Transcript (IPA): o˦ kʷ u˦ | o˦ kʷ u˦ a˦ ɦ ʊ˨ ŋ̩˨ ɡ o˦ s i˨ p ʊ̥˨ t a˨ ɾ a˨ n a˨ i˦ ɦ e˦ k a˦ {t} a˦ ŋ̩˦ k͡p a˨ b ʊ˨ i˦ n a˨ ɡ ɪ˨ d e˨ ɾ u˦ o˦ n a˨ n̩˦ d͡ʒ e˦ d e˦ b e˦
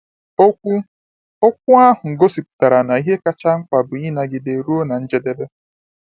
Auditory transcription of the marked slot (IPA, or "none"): t͡ʃ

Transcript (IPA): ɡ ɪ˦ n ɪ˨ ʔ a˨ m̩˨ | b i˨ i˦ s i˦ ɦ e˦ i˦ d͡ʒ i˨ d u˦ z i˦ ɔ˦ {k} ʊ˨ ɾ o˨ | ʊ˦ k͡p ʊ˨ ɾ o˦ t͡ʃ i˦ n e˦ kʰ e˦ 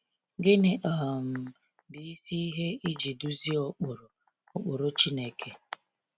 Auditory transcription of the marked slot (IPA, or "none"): k͡p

